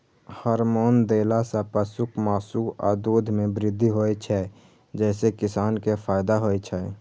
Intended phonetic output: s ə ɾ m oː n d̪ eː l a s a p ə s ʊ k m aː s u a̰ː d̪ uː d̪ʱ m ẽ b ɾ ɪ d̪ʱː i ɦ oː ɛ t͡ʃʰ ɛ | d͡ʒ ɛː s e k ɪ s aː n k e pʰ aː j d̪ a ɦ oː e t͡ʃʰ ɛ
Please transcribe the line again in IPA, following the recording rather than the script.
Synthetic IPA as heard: h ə ɾ m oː n d̪ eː l a s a p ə s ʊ k m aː s u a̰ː d̪ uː d̪ʱ m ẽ b ɾ ɪ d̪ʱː i ɦ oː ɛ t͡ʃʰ ɛ | d͡ʒ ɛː s e k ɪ s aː n k e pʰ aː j d̪ a ɦ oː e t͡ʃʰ ɛ